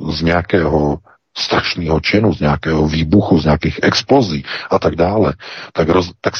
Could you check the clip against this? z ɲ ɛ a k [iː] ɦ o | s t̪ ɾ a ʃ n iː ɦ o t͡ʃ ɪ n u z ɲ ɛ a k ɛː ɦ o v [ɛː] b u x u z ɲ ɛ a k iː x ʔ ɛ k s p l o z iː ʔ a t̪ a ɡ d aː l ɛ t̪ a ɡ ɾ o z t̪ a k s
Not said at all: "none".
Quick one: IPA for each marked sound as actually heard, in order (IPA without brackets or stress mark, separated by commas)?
ɛː, iː